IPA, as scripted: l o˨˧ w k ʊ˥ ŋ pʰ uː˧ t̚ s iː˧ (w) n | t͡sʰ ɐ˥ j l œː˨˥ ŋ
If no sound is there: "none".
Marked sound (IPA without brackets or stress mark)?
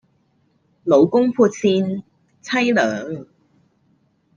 none